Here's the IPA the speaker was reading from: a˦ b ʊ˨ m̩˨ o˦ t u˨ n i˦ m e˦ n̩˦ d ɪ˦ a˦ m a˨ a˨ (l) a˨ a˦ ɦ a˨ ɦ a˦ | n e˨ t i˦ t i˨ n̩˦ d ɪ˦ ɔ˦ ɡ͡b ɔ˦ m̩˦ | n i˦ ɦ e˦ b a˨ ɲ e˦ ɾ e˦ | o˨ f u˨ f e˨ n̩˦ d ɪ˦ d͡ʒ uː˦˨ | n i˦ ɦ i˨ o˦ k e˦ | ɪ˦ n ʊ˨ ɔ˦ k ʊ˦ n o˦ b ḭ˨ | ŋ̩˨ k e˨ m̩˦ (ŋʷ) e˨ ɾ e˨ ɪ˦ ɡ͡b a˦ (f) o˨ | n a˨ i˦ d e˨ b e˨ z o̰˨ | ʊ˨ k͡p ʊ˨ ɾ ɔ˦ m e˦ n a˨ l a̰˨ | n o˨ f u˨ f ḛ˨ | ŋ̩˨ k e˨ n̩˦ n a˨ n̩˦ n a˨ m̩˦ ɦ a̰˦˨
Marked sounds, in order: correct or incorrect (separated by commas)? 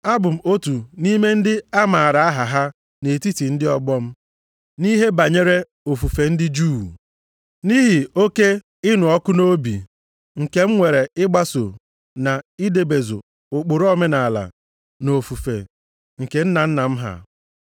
incorrect, correct, incorrect